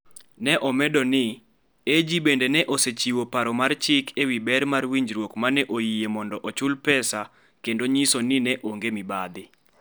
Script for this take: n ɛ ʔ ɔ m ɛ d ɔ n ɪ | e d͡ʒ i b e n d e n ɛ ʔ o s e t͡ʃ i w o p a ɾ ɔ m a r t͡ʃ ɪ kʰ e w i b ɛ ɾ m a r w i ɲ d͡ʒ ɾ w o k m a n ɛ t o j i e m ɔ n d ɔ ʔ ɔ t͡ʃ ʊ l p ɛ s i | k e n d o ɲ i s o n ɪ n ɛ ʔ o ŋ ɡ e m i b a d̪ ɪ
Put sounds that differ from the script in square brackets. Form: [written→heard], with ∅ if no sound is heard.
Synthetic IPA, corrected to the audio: n ɛ ʔ ɔ m ɛ d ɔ n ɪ | e d͡ʒ i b e n d e n ɛ ʔ o s e t͡ʃ i w o p a ɾ ɔ m a r t͡ʃ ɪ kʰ e w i b ɛ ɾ m a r w i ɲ d͡ʒ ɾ w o k m a n ɛ [t→ʔ] o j i e m ɔ n d ɔ ʔ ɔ t͡ʃ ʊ l p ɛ s [i→a] | k e n d o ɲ i s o n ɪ n ɛ ʔ o ŋ ɡ e m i b a d̪ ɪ